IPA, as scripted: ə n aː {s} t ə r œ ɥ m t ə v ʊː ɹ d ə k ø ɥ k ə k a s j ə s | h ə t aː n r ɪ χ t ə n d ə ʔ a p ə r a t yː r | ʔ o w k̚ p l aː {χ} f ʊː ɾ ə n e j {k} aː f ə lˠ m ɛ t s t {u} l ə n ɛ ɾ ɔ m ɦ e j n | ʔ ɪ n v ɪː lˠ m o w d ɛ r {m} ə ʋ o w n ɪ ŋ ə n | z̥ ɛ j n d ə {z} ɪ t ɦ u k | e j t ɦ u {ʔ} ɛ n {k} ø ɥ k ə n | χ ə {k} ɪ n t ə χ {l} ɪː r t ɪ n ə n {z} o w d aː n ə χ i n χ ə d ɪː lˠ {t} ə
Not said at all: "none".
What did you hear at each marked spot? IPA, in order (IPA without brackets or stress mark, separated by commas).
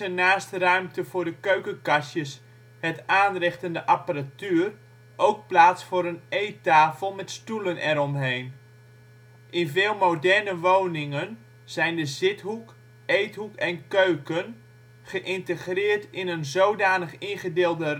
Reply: s, s, t, u, n, z, k, k, ʔ, r, z, d